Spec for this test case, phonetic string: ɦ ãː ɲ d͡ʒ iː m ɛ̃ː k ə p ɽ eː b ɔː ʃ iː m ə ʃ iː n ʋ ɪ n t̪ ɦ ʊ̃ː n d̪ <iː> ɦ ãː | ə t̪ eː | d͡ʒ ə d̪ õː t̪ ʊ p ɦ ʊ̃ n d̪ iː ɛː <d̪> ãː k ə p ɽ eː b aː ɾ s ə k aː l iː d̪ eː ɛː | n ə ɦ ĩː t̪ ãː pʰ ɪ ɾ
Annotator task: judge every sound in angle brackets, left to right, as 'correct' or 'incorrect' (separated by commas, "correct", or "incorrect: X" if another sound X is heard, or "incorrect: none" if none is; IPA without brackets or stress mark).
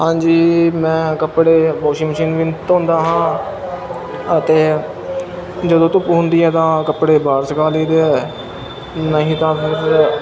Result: incorrect: aː, incorrect: t̪